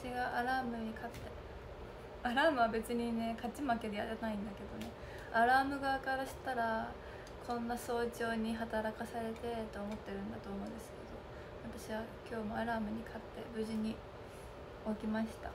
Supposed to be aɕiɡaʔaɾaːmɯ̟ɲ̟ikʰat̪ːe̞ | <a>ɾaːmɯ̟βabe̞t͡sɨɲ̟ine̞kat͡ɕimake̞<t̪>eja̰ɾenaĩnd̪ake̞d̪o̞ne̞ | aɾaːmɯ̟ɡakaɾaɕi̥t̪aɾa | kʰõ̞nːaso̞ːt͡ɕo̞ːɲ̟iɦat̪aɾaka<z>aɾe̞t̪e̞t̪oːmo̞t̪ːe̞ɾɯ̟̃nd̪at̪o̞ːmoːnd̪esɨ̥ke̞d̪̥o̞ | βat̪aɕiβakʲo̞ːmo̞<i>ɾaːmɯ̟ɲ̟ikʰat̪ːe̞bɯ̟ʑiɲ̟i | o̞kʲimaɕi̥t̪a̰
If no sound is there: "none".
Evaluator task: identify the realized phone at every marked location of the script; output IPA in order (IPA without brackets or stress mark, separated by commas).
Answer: a, d̪, s, a